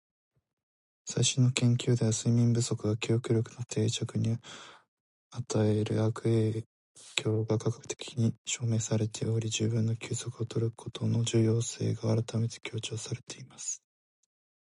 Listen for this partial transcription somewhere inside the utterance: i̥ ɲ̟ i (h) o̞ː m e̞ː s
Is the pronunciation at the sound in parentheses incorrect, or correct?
incorrect